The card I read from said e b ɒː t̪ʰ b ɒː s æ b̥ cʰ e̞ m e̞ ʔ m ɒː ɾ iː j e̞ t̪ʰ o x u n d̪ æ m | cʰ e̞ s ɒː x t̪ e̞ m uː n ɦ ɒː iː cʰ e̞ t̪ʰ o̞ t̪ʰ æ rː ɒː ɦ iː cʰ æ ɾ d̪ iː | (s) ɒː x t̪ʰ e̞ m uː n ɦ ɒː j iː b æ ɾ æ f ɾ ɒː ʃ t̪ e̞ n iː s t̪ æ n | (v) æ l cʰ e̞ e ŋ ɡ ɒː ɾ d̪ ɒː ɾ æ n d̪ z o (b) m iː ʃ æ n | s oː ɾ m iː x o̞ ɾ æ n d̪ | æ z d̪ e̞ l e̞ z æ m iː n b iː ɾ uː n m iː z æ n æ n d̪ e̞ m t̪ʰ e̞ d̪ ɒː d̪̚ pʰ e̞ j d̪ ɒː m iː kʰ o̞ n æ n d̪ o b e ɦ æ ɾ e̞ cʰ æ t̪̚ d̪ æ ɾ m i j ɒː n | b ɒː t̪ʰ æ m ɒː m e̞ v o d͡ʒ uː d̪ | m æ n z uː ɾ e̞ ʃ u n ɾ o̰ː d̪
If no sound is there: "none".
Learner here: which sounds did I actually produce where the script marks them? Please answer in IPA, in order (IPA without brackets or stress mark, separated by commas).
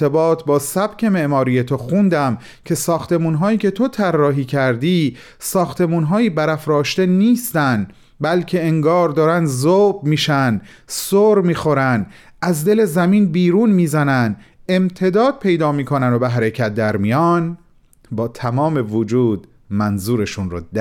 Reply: s, b, b